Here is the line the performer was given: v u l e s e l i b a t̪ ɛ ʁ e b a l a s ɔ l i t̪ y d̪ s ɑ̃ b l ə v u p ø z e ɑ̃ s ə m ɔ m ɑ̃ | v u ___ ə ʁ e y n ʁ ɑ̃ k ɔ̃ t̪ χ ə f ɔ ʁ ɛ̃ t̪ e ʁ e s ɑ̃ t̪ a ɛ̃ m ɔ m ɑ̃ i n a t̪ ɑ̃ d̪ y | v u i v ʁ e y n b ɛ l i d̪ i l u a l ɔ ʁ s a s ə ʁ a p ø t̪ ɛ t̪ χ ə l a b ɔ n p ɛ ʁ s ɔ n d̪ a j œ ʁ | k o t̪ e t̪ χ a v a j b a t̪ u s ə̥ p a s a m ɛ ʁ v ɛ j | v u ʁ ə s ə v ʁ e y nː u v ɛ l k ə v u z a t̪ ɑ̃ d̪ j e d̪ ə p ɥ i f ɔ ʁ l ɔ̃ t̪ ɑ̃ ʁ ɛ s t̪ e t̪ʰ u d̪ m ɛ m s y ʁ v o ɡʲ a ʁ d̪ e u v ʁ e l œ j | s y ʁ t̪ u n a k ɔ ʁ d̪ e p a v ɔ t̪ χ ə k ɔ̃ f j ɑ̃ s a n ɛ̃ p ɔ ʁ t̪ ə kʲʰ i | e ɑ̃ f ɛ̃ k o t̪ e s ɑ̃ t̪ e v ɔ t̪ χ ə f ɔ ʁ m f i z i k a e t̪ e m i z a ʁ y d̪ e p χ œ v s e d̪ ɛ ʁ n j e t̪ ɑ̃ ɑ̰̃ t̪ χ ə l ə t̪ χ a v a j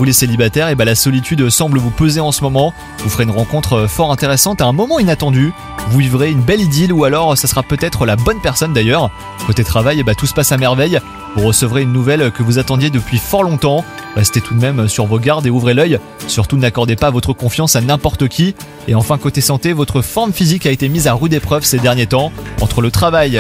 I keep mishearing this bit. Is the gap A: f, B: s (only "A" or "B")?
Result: A